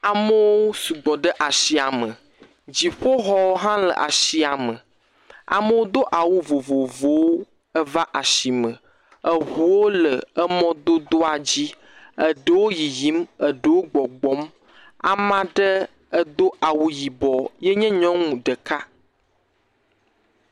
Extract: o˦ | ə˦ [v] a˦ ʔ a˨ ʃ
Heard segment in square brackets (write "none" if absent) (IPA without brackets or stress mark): v